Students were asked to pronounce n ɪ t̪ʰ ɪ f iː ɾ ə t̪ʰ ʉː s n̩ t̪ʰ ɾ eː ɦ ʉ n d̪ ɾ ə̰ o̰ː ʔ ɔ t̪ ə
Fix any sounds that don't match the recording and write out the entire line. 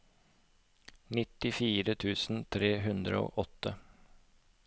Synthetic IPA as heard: n ɪ t̪ ɪ f iː ɾ ə t̪ʰ ʉː s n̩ t̪ʰ ɾ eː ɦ ʉ n d̪ ɾ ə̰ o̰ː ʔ ɔ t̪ ə